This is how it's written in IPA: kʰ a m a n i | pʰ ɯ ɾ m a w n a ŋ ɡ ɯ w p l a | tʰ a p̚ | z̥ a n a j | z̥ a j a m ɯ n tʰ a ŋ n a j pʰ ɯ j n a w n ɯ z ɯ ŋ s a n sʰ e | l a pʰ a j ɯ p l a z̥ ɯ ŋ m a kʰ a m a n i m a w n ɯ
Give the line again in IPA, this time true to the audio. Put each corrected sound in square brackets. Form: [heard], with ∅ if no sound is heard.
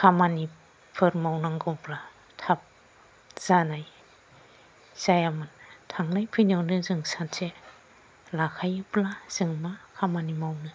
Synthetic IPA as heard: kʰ a m a n i | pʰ ɯ ɾ m a w n a ŋ ɡ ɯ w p l a | tʰ a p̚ | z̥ a n a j | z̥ a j a m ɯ n tʰ a ŋ n a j pʰ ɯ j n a w n ɯ z ɯ ŋ s a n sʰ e | l a [kʰ] a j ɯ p l a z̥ ɯ ŋ m a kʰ a m a n i m a w n ɯ